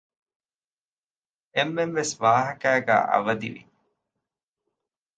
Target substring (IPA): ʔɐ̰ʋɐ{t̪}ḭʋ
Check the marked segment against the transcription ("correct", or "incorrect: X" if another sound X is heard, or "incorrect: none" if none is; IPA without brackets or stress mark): incorrect: d̪